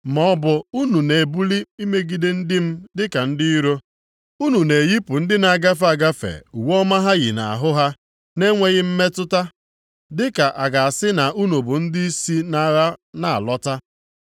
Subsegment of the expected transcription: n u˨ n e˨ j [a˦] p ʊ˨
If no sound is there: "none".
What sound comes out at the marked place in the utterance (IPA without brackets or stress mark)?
i˦